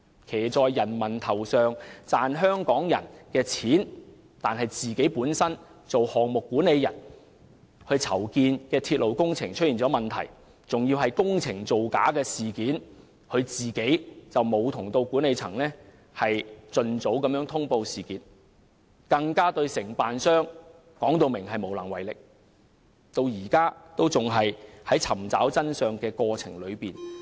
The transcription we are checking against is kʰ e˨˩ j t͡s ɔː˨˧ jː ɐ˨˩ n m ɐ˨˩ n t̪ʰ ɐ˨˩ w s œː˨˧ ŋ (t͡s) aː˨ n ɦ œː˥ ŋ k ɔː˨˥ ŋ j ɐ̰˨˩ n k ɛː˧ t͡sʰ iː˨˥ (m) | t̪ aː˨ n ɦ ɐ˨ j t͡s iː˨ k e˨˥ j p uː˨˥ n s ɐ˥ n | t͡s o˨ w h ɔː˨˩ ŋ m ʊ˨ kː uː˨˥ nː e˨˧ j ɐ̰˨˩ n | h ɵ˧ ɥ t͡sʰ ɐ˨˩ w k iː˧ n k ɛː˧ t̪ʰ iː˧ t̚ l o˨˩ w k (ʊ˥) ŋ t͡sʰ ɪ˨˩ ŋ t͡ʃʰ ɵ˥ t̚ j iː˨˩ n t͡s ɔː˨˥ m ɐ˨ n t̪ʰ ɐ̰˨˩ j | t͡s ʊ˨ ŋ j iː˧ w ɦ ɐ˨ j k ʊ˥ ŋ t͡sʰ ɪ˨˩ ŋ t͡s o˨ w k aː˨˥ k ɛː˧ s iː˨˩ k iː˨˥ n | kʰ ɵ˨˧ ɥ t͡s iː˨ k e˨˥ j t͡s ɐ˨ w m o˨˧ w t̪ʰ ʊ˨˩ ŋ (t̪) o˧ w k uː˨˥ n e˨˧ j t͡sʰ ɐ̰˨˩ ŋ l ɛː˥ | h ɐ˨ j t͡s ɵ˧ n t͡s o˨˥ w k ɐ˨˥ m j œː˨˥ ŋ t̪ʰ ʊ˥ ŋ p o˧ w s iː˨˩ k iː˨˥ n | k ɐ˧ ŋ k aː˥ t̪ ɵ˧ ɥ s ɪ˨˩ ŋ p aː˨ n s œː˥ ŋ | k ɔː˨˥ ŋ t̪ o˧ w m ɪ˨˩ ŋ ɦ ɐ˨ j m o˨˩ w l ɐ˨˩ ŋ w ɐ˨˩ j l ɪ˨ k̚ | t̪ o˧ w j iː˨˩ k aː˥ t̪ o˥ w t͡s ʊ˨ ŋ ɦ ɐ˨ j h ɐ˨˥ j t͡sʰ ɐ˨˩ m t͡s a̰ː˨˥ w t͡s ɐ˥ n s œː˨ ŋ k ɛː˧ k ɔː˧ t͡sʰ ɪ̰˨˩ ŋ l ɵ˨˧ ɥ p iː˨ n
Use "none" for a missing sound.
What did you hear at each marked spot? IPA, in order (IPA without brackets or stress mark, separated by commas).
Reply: t͡s, n, ʊ˥, t̪